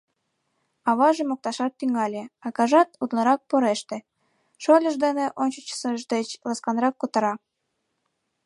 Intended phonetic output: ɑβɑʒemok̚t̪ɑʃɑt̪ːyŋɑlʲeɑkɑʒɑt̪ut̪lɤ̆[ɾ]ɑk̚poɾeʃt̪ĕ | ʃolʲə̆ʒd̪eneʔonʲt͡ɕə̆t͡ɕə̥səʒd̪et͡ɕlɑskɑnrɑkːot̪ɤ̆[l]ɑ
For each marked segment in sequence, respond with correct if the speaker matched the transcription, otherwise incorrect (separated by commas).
correct, incorrect